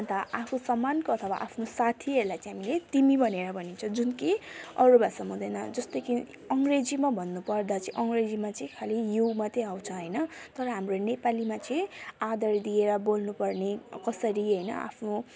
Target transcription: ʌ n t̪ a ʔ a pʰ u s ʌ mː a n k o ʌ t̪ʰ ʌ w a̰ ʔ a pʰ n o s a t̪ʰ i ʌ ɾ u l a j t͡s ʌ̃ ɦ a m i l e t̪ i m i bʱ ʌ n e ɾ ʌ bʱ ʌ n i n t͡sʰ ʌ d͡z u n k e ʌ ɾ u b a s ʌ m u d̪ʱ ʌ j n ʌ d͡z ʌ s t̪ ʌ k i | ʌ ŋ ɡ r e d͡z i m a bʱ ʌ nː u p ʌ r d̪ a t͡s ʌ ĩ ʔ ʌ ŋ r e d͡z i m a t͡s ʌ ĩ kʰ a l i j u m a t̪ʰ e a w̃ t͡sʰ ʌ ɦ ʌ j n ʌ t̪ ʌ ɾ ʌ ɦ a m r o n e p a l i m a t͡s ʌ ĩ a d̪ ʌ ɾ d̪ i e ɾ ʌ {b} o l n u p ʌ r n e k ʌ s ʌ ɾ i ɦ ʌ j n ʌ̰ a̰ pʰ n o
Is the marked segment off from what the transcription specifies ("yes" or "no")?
no